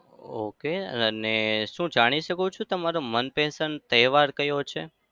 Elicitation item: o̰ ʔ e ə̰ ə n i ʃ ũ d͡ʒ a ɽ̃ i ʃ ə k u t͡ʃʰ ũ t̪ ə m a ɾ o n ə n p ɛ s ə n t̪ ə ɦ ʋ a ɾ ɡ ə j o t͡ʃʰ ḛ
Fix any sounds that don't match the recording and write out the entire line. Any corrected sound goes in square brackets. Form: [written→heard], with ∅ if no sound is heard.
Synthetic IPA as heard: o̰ [ʔ→k] e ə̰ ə n [i→e] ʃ ũ d͡ʒ a ɽ̃ i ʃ ə k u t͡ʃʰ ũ t̪ ə m a ɾ o [n→m] ə n p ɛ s ə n t̪ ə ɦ ʋ a ɾ [ɡ→k] ə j o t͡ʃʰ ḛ

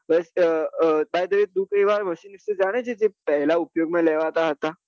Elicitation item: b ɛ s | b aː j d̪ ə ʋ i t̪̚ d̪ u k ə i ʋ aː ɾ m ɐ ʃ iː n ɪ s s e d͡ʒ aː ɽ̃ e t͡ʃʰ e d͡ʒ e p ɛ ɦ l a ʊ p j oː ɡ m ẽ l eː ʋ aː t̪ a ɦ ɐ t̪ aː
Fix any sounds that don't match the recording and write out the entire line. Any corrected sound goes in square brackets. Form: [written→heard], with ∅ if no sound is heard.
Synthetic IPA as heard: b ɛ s | b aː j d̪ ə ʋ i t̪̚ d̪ u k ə i ʋ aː ɾ m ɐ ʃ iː n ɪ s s e d͡ʒ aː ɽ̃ e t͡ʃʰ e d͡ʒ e p ɛ ɦ l a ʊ p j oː ɡ m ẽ l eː ʋ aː t̪ a ɦ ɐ t̪ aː

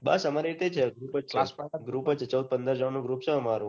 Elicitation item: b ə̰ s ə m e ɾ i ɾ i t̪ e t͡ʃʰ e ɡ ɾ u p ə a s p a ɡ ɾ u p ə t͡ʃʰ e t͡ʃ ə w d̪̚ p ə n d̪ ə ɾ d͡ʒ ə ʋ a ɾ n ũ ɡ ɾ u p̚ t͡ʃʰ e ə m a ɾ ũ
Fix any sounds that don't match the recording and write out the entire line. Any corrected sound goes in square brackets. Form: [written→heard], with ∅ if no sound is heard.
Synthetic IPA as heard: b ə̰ s ə m [e→a] ɾ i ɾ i t̪ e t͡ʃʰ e ɡ ɾ u p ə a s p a ɡ ɾ u p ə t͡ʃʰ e t͡ʃ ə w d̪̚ p ə n d̪ ə ɾ d͡ʒ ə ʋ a [ɾ→∅] n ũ ɡ ɾ u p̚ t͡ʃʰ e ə m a ɾ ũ

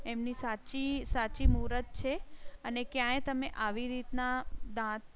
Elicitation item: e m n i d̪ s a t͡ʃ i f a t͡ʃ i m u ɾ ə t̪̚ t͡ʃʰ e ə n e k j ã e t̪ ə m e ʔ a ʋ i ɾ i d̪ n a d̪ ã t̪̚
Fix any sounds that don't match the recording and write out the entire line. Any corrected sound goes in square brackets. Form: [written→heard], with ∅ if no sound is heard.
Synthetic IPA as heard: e m n i [d̪→∅] s a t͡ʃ i [f→s] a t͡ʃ i m u ɾ ə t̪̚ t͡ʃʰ e ə n e k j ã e t̪ ə m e ʔ a ʋ i ɾ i [d̪→t̪] n a d̪ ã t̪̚

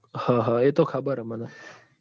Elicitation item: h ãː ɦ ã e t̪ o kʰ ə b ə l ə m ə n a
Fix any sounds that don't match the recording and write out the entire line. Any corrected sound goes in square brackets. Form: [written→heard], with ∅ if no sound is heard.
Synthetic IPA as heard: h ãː ɦ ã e t̪ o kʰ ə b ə [l→ɾ] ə m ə n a

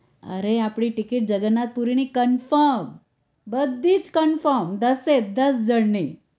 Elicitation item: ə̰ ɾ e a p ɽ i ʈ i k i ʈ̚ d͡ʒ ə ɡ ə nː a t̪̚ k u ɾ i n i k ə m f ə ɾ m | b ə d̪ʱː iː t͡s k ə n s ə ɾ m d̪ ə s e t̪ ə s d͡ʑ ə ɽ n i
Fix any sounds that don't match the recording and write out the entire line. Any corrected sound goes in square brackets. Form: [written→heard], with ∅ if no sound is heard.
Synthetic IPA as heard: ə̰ ɾ e a p ɽ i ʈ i k i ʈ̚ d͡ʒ ə ɡ ə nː a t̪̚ [k→p] u ɾ i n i k ə [m→n] f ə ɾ m | b ə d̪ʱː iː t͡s k ə n [s→f] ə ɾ m d̪ ə s e [t̪→d̪] ə s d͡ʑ ə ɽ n i

